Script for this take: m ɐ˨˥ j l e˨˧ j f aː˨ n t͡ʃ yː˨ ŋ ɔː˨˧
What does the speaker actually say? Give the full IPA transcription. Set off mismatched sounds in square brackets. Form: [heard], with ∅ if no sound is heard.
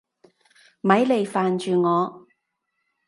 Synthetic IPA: m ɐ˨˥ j l e˨˧ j f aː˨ n t͡ʃ yː˨ ŋ ɔː˨˧